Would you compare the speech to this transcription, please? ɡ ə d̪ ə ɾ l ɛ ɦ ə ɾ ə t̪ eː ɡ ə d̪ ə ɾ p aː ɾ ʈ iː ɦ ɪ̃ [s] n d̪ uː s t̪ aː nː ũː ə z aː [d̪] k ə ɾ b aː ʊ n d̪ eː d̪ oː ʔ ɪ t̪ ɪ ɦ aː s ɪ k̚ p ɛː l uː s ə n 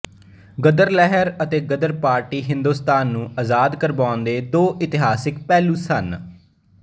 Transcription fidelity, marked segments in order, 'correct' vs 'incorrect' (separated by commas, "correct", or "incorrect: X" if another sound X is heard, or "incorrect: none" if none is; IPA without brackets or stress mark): incorrect: none, correct